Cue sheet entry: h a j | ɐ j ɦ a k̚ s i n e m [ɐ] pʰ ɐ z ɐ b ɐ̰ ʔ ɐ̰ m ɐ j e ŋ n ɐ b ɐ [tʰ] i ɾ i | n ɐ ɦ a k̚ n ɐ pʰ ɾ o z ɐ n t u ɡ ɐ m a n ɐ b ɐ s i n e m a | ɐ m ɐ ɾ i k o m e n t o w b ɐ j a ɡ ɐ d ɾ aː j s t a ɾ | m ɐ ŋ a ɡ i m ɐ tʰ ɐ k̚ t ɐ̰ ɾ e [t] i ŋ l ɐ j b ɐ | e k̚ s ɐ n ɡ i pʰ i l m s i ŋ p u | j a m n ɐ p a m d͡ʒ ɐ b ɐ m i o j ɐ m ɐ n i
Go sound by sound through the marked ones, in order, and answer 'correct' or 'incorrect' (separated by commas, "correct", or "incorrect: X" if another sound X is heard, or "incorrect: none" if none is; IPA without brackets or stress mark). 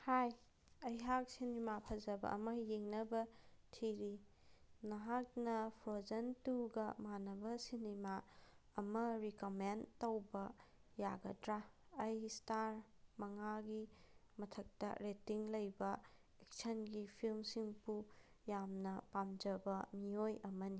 incorrect: a, correct, correct